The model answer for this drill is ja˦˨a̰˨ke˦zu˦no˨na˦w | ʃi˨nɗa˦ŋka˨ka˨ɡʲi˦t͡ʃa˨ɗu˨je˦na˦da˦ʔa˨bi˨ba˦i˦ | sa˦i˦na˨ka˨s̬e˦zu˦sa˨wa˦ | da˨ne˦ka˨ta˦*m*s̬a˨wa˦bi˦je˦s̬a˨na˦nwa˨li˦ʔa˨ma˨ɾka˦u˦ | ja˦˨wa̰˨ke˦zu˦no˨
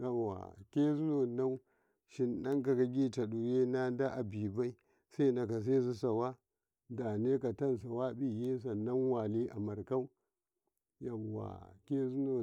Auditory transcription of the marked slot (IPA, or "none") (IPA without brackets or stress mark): n